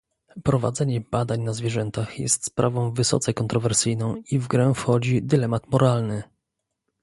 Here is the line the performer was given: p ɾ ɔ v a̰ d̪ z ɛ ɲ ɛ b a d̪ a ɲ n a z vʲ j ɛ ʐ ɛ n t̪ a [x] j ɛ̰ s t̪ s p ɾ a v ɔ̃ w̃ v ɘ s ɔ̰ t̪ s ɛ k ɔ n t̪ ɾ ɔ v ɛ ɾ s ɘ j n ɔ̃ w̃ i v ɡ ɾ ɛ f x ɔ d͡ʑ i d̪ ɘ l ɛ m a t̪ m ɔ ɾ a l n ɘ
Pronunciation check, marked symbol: correct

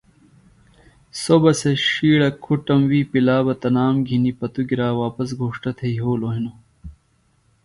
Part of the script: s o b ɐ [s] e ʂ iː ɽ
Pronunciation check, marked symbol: correct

